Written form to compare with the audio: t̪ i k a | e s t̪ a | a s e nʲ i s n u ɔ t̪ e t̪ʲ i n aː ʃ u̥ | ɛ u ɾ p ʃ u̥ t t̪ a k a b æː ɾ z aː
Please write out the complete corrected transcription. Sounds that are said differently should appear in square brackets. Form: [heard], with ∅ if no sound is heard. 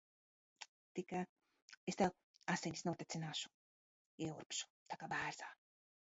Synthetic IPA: t̪ i k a | e s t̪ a | a s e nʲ i s n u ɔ t̪ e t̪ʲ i n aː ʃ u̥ | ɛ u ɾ p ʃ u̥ t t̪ a k a b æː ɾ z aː